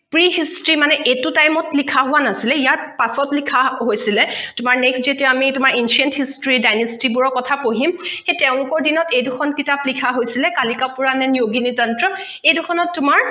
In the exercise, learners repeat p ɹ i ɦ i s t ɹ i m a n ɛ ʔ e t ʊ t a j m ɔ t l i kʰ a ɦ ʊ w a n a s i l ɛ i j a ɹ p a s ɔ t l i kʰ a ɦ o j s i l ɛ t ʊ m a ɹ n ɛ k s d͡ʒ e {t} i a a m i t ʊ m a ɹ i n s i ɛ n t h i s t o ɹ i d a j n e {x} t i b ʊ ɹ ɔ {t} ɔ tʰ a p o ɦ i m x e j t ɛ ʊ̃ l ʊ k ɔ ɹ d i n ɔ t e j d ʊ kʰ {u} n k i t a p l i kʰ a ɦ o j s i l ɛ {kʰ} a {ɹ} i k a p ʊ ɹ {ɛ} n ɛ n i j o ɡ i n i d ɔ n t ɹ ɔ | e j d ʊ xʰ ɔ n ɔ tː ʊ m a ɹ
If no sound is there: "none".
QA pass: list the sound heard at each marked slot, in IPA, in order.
t, s, k, ɔ, k, l, a

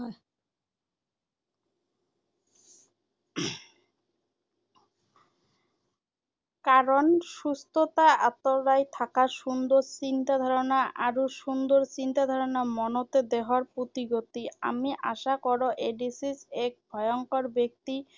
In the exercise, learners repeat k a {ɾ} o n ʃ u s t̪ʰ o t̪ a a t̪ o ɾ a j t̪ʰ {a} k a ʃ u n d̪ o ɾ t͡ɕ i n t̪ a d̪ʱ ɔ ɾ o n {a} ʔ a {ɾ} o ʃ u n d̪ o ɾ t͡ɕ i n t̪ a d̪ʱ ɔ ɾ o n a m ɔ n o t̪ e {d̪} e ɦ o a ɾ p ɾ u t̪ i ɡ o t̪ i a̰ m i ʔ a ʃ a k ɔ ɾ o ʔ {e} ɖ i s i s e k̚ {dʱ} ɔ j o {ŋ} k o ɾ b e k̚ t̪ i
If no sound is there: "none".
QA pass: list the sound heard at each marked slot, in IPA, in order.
ɾ, a, a, ɾ, d̪, e, bʱ, ŋ

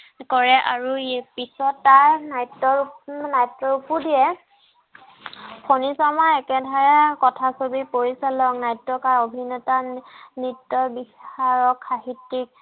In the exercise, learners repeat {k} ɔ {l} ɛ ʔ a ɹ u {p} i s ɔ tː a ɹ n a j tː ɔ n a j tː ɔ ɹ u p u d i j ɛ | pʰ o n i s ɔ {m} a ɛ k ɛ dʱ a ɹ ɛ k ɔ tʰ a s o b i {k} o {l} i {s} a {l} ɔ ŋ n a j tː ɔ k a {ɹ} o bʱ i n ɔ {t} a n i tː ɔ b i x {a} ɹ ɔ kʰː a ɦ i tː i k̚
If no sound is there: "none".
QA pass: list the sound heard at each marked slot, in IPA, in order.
k, ɹ, p, m, p, ɹ, s, l, ɹ, t, a

